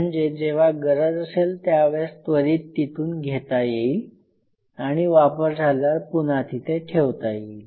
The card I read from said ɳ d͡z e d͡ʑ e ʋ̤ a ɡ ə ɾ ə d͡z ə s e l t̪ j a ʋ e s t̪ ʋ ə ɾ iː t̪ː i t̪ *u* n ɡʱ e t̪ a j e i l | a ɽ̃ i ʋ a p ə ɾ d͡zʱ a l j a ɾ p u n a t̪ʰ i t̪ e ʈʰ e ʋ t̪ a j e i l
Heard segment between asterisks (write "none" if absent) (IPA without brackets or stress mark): uː